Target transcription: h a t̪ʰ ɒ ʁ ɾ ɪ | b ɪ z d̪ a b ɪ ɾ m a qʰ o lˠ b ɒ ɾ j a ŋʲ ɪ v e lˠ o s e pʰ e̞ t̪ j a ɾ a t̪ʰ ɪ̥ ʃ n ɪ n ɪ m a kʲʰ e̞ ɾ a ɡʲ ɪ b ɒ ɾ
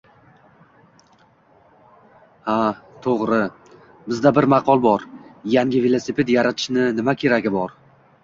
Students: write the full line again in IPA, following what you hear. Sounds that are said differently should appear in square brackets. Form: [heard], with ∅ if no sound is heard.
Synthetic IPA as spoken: h a t̪ʰ [o] ʁ ɾ ɪ | b ɪ z d̪ a b ɪ ɾ m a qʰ [ɒ] lˠ b ɒ ɾ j a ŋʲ ɪ v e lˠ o s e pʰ e̞ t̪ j a ɾ a t̪ʰ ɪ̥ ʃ n ɪ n ɪ m a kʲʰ e̞ ɾ a ɡʲ ɪ b ɒ ɾ